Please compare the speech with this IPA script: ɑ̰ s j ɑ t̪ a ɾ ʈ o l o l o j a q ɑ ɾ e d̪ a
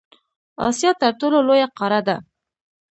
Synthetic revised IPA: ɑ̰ s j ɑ t̪ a ɾ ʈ o l o l o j a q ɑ ɾ a d̪ a